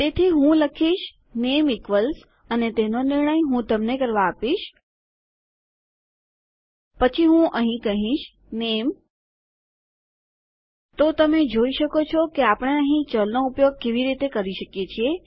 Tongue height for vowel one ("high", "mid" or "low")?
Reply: mid